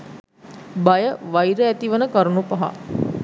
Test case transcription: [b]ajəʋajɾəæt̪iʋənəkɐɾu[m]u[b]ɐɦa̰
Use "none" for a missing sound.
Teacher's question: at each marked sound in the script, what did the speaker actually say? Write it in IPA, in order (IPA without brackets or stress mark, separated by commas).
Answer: b, n, p